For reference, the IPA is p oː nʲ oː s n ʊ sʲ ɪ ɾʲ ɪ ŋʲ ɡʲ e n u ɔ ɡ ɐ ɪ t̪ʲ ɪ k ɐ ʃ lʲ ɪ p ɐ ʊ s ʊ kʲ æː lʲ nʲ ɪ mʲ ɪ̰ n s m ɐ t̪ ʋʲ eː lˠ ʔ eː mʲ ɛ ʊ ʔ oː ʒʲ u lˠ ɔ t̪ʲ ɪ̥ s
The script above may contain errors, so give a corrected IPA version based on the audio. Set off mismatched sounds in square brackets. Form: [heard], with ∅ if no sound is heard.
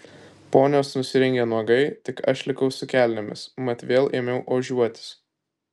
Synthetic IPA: p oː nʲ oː s n ʊ sʲ ɪ ɾʲ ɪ ŋʲ ɡʲ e n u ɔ ɡ ɐ ɪ t̪ʲ ɪ k ɐ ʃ lʲ ɪ [k] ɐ ʊ s ʊ kʲ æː lʲ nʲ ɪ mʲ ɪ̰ [∅] s m ɐ t̪ ʋʲ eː lˠ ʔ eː mʲ ɛ ʊ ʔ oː ʒʲ u [∅] ɔ t̪ʲ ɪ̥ s